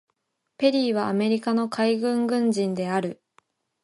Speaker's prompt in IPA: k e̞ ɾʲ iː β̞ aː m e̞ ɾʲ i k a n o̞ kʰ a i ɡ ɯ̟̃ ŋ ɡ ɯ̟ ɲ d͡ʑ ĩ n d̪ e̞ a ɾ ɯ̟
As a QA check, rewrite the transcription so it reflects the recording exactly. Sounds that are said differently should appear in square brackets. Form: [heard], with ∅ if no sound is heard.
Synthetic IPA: [p] e̞ ɾʲ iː β̞ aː m e̞ ɾʲ i k a n o̞ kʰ a i ɡ ɯ̟̃ ŋ ɡ [ɯ̟̃] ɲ d͡ʑ ĩ n d̪ e̞ a ɾ ɯ̟